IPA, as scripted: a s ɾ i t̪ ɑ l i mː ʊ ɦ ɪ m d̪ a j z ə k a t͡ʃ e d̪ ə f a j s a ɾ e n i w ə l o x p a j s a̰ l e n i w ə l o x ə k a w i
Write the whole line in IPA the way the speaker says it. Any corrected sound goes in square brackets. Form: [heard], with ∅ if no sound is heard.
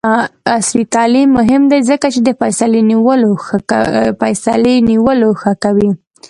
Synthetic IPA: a s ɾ i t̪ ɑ l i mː ʊ ɦ ɪ m d̪ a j z ə k a t͡ʃ e d̪ ə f a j s a [l] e n i w ə l o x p a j s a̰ l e n i w ə l o x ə k a w i